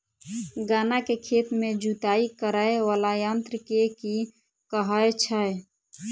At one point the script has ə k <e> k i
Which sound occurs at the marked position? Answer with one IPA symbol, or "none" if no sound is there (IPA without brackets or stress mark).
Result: e